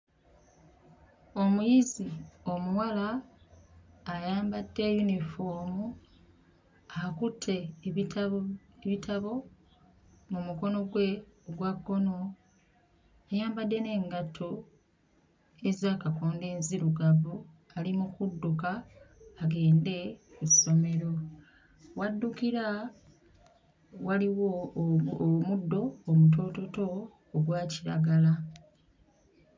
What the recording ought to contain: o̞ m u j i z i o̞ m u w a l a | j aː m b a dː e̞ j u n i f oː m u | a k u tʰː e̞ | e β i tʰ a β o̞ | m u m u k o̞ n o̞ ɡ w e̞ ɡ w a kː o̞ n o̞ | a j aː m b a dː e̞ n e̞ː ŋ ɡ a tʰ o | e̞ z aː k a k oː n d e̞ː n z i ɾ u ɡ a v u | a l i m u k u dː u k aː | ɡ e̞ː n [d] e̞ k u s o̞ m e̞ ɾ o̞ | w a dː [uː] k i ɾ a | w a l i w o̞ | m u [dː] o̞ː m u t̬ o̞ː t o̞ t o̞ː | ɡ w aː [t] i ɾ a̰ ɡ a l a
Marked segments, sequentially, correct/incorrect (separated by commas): correct, incorrect, correct, incorrect